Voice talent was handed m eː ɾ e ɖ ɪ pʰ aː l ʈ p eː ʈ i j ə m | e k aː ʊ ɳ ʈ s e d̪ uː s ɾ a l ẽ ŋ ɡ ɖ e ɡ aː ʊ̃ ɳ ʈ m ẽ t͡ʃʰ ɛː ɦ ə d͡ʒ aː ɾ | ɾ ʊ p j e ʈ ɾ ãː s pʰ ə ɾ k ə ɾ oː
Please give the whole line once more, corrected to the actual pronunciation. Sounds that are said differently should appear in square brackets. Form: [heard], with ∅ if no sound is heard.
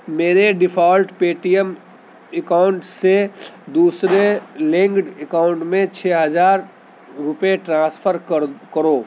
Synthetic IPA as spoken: m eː ɾ e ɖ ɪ pʰ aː l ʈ p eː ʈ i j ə m | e k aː ʊ ɳ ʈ s e d̪ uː s ɾ [e] l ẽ ŋ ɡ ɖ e [k] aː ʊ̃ ɳ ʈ m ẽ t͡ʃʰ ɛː ɦ ə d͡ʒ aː ɾ | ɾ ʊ p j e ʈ ɾ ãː s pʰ ə ɾ k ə ɾ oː